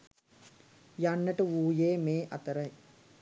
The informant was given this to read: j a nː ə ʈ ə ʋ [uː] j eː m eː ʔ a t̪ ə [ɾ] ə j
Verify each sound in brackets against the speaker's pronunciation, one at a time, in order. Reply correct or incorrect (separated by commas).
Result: correct, correct